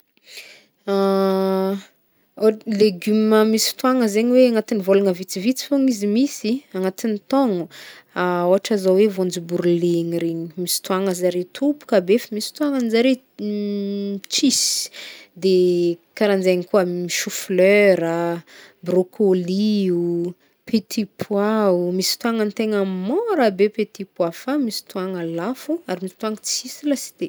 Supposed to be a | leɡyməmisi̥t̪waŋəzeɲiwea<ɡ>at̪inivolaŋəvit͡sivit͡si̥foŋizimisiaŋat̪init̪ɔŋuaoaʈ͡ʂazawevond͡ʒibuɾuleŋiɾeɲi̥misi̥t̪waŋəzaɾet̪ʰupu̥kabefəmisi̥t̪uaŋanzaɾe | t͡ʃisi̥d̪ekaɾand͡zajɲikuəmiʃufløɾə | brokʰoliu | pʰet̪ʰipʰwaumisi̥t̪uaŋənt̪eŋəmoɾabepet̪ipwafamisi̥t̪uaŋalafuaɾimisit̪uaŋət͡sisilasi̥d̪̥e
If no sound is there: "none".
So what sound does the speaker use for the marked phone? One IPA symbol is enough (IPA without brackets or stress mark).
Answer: ŋ